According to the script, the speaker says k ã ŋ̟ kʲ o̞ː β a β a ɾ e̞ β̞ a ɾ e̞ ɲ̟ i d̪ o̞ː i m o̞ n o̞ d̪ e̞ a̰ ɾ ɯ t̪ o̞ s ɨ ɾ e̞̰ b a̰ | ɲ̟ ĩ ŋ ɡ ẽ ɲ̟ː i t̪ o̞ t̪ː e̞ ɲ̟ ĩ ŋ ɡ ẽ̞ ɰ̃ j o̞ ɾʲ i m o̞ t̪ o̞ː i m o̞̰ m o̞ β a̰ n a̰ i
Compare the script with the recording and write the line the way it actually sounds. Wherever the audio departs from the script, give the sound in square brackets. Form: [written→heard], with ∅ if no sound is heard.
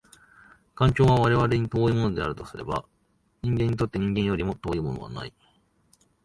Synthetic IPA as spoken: k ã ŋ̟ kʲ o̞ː β a β a ɾ e̞ β̞ a ɾ e̞ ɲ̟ i [d̪→t̪] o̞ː i m o̞ n o̞ d̪ e̞ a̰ ɾ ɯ t̪ o̞ s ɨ ɾ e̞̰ b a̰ | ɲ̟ ĩ ŋ ɡ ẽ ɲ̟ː i t̪ o̞ t̪ː e̞ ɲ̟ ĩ ŋ ɡ ẽ̞ ɰ̃ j o̞ ɾʲ i m o̞ t̪ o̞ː i m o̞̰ [m→n] o̞ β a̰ n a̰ i

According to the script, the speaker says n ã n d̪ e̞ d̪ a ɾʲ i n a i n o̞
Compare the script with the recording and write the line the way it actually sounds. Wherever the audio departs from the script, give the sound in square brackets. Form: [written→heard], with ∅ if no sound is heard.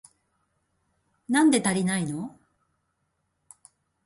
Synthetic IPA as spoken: n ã n d̪ e̞ [d̪→t̪] a ɾʲ i n a i n o̞

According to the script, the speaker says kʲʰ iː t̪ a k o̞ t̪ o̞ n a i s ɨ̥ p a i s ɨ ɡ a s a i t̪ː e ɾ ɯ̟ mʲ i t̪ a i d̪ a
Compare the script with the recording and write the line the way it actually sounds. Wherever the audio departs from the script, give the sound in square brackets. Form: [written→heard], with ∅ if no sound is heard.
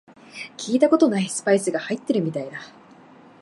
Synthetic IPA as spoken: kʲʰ iː t̪ a k o̞ t̪ o̞ n a i s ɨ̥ p a i s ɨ ɡ a [s→h] a i t̪ː e ɾ ɯ̟ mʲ i t̪ a i d̪ a

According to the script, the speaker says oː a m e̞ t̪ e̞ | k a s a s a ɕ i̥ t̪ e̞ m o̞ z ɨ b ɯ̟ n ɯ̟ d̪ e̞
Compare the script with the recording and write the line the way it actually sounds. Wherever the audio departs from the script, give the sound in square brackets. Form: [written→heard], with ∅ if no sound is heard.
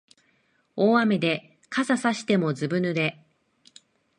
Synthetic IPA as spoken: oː a m e̞ [t̪→d̪] e̞ | k a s a s a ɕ i̥ t̪ e̞ m o̞ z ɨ b ɯ̟ n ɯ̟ d̪ e̞

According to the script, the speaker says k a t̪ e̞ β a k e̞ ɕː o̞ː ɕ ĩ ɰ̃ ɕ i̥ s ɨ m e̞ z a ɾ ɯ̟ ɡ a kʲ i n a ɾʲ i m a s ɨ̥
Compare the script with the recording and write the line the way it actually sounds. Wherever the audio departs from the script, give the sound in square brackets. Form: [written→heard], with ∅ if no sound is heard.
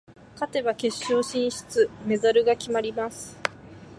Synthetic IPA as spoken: k a t̪ e̞ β a k e̞ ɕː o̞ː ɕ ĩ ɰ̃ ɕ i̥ [s→t͡s] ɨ m e̞ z a ɾ ɯ̟ ɡ a kʲ i [n→m] a ɾʲ i m a s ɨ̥

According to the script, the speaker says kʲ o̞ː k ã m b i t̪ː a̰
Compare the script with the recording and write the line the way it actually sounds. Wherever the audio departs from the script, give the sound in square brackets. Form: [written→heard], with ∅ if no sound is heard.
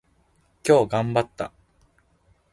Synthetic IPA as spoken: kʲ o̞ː [k→ɡ] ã m b [i→a] t̪ː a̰

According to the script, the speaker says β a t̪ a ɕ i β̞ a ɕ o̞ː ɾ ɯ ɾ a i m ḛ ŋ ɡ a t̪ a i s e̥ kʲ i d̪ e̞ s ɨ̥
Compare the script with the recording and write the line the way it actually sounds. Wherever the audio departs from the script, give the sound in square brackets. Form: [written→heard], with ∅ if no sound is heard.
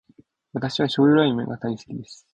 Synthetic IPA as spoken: β a t̪ a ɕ i β̞ a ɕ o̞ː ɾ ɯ ɾ a i m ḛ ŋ ɡ a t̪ a i s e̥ kʲ i d̪ e̞ s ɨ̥

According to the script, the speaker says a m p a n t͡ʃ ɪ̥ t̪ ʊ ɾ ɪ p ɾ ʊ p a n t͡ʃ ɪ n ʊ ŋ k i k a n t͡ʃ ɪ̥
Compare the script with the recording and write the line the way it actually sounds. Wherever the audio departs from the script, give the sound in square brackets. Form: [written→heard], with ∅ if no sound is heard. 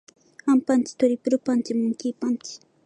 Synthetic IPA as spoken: a m p a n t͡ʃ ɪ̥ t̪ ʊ ɾ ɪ p ɾ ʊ p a n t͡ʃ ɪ [n→m] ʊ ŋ k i [k→p] a n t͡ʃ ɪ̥

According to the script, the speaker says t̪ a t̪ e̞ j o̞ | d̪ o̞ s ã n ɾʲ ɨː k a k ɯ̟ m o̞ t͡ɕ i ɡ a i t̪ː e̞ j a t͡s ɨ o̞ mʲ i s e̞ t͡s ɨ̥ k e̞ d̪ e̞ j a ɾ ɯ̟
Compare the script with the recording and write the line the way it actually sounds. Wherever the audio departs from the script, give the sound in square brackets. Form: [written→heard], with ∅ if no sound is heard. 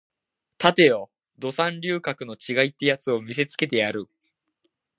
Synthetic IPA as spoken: t̪ a t̪ e̞ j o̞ | d̪ o̞ s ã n ɾʲ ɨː k a k ɯ̟ [m→n] o̞ t͡ɕ i ɡ a i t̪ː e̞ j a t͡s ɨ o̞ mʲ i s e̞ t͡s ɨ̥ k e̞ [d̪→t̪] e̞ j a ɾ ɯ̟

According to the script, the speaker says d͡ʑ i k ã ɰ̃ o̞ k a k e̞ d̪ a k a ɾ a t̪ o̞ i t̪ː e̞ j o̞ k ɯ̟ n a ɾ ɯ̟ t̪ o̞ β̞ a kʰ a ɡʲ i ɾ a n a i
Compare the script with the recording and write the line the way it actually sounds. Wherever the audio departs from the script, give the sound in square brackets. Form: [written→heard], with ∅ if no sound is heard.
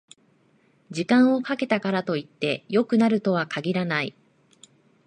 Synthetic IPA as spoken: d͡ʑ i k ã ɰ̃ o̞ k a k e̞ [d̪→t̪] a k a ɾ a t̪ o̞ i t̪ː e̞ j o̞ k ɯ̟ n a ɾ ɯ̟ t̪ o̞ β̞ a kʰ a ɡʲ i ɾ a n a i

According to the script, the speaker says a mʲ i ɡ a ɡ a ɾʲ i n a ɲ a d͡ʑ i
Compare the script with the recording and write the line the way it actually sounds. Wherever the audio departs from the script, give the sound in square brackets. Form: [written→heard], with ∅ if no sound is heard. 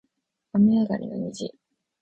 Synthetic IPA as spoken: a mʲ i [ɡ→∅] a ɡ a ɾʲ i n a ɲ [a→i] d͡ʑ i

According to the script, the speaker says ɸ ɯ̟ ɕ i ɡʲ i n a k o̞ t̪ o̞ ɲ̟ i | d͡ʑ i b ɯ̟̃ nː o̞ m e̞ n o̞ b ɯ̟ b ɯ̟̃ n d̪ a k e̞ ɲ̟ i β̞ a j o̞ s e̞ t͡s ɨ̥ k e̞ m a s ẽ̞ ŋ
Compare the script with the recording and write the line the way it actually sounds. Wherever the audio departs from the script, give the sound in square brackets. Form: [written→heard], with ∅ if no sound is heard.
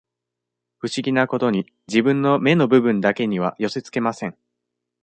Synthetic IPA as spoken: ɸ ɯ̟ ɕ i ɡʲ i n a k o̞ t̪ o̞ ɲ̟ i | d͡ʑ i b ɯ̟̃ nː o̞ m e̞ n o̞ b ɯ̟ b ɯ̟̃ n d̪ a k e̞ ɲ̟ i β̞ a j o̞ s e̞ t͡s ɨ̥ k e̞ m a s ẽ̞ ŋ

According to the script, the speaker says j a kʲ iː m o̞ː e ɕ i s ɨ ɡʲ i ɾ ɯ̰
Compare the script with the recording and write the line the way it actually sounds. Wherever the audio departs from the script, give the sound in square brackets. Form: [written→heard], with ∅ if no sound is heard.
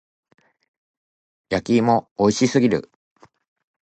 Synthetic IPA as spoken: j a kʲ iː m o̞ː [e→i] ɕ i s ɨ ɡʲ i ɾ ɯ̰

